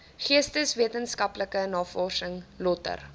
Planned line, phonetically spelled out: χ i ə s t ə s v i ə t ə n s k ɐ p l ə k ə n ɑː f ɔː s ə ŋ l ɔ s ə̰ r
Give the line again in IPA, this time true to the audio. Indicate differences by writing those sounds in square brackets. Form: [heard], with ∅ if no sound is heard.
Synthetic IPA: χ i ə s t ə s v i ə t ə n s k ɐ p l ə k ə n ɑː f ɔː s ə ŋ l ɔ [t] ə̰ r

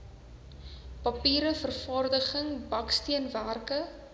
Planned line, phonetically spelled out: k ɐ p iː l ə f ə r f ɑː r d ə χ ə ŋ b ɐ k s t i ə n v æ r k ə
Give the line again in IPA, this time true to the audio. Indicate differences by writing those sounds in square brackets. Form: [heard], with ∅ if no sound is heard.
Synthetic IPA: [p] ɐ p iː [ɾ] ə f ə r f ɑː r d ə χ ə ŋ b ɐ k s t i ə n v æ r k ə

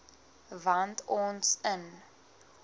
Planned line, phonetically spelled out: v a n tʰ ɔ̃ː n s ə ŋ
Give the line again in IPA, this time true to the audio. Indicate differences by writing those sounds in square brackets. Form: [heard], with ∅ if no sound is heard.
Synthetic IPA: v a n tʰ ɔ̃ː n s ə [n]

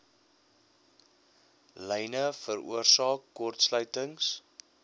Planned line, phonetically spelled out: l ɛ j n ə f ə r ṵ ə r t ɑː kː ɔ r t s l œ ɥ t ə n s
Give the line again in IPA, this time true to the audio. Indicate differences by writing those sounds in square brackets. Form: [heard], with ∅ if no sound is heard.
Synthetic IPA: l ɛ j n ə f ə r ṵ ə r [s] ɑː kː ɔ r t s l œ ɥ t ə [ŋ] s

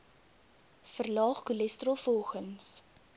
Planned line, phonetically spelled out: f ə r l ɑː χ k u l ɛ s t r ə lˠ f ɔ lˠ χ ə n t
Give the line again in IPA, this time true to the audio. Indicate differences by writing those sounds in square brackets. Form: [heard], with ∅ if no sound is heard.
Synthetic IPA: f ə r l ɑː χ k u l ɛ s t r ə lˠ f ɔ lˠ χ ə n [s]

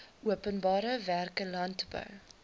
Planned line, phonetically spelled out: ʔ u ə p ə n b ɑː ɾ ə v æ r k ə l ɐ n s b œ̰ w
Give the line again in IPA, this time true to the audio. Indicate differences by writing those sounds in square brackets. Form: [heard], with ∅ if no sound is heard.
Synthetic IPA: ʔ u ə p ə n b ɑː ɾ ə v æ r k ə l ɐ n [t] b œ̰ w

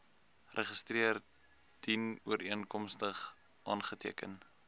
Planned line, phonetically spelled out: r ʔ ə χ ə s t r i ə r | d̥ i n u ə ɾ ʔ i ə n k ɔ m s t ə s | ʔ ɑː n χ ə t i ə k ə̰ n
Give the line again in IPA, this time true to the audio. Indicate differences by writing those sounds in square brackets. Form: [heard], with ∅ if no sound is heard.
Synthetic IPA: r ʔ ə χ ə s t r i ə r | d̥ i n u ə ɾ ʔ i ə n k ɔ m s t ə [χ] | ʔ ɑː n χ ə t i ə k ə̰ n

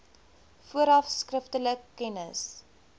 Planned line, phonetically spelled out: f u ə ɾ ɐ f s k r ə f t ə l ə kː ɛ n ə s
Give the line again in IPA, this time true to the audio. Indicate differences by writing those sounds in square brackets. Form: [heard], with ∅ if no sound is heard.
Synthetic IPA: f u ə ɾ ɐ f s k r ə f t ə l ə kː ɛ n ə s

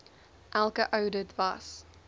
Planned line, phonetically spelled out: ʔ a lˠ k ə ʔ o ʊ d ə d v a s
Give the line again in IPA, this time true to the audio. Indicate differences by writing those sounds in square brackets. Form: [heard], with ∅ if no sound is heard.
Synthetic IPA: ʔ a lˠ k ə ʔ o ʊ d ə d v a s

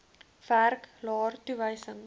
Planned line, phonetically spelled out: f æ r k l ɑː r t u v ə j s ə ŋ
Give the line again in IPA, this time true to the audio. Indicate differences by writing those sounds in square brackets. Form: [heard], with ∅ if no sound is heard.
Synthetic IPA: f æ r k l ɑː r t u v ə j s ə ŋ

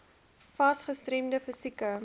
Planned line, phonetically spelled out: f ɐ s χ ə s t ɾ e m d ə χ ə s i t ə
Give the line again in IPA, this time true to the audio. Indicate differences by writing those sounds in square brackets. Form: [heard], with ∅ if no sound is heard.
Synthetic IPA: f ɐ s χ ə s t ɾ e m d ə [f] ə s i [k] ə

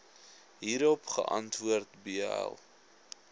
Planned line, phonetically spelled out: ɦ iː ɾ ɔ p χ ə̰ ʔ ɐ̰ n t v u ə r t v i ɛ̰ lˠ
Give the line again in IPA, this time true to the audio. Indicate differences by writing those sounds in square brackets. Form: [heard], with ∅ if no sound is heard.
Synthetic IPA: ɦ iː ɾ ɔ p χ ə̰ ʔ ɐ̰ n t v u ə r t [b] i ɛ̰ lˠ

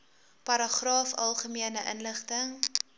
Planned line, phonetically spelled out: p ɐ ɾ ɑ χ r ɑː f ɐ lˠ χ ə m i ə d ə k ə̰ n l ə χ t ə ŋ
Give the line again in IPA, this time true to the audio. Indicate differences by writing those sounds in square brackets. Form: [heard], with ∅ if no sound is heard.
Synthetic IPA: p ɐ ɾ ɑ χ r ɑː f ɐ lˠ χ ə m i ə [n] ə [ʔ] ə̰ n l ə χ t ə ŋ

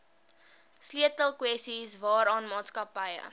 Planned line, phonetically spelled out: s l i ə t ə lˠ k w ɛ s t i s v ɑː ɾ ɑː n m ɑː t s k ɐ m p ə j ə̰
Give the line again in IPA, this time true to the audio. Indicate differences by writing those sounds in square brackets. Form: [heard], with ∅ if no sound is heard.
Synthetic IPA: s l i ə t ə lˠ k w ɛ s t i s v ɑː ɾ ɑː n m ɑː t s k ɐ [∅] p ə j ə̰

